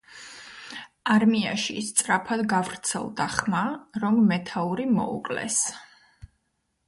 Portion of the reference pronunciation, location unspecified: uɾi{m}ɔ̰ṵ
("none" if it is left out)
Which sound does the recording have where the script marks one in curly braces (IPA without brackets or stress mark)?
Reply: m